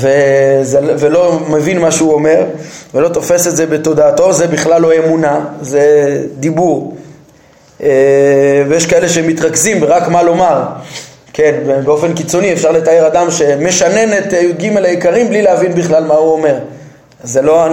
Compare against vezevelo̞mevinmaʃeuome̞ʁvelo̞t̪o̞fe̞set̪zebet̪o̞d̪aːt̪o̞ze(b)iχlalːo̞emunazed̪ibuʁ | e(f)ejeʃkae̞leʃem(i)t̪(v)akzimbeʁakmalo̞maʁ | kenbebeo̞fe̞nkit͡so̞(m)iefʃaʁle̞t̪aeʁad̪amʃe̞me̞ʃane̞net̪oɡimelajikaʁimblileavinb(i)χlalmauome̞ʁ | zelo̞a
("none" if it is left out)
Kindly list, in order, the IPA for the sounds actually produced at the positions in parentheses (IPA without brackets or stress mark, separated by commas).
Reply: b, v, i, ʁ, n, i